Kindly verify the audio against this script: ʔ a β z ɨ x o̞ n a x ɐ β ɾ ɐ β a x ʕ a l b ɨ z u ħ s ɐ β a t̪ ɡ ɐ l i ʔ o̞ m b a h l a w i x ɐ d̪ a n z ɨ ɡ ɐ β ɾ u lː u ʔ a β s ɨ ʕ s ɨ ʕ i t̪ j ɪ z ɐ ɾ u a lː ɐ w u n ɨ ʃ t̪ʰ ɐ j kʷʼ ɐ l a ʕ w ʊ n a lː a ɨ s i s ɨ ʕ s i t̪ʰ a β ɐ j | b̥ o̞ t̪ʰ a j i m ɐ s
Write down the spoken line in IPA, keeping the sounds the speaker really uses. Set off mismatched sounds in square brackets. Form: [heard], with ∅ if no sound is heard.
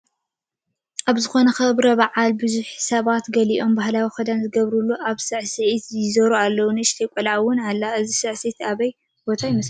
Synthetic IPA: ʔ a β z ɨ x o̞ n [ɐ] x ɐ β ɾ ɐ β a [∅] ʕ a l b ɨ z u ħ s ɐ β a t̪ ɡ ɐ l i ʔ o̞ m b a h l a w i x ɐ d̪ a n z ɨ ɡ ɐ β ɾ u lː u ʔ a β s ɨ ʕ s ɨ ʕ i t̪ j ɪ z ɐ ɾ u a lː ɐ w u n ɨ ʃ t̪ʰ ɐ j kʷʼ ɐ l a ʕ w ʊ n a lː a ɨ [z] i s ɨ ʕ s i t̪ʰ a β ɐ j | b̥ o̞ t̪ʰ a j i m ɐ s